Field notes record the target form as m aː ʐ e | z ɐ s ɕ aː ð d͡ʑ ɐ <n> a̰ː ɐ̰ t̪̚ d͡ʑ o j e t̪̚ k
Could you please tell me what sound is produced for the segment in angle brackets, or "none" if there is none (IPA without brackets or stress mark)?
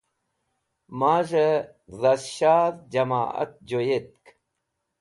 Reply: m